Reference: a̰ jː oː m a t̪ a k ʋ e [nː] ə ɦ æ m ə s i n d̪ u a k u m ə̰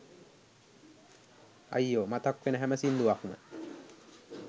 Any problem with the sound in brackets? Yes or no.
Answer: yes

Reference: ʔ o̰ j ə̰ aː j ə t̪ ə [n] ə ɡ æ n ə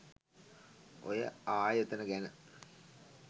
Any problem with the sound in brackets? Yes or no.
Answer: no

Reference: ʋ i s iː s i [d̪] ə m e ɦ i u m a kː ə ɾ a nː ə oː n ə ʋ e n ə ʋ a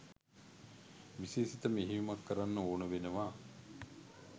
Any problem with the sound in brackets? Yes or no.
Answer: yes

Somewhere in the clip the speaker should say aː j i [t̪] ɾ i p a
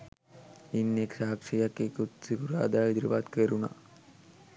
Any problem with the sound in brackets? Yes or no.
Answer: yes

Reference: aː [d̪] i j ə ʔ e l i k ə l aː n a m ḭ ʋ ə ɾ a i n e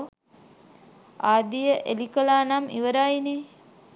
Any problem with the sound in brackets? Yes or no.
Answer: no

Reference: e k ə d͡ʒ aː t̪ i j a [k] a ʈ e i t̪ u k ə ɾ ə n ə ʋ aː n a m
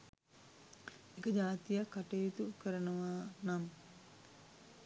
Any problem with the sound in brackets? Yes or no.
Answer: no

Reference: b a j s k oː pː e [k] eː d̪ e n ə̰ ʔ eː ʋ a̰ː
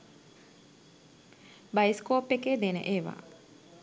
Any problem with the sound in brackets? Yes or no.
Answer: no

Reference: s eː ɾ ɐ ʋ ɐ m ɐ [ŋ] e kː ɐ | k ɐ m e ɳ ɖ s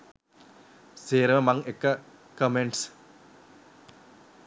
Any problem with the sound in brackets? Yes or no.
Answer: no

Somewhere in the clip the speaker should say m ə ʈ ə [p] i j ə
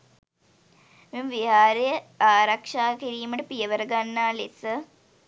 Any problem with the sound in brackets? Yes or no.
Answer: no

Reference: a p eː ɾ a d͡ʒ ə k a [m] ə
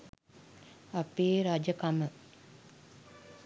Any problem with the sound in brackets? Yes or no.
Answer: no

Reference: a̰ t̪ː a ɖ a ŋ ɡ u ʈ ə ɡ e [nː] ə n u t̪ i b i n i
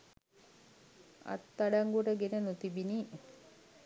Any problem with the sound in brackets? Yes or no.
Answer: yes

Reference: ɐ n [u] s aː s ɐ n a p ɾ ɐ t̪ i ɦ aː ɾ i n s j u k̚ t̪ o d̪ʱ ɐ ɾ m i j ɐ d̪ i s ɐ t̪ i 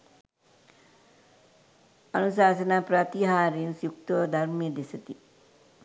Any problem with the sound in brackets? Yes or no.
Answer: no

